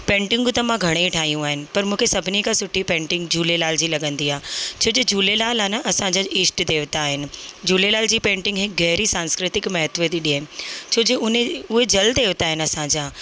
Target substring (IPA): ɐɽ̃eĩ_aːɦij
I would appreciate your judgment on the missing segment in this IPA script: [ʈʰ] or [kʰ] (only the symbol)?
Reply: ʈʰ